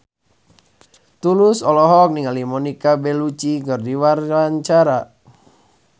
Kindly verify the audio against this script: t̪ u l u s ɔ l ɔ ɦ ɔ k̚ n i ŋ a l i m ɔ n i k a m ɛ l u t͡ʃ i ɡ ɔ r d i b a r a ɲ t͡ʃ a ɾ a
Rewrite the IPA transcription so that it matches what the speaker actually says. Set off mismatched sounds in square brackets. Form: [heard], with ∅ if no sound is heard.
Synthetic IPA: t̪ u l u s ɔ l ɔ ɦ ɔ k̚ n i ŋ a l i m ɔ n i k a [b] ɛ l u t͡ʃ i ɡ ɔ r d i [w] a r a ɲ t͡ʃ a ɾ a